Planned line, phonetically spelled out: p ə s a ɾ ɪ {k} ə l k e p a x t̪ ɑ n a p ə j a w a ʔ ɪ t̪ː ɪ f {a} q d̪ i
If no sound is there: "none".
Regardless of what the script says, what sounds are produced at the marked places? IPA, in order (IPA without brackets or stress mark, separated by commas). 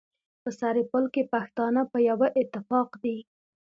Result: p, ɑ